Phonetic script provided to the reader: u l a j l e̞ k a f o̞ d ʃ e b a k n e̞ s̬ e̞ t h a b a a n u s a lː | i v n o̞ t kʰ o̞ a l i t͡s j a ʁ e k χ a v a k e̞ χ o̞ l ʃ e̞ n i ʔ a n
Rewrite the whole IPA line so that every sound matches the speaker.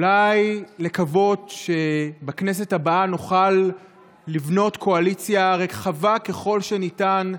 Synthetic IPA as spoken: u l a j l e̞ k a v o̞ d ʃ e b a k n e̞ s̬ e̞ t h a b a a n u χ a lː | i v n o̞ t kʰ o̞ a l i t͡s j a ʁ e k χ a v a k e̞ χ o̞ l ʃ e̞ n i t a n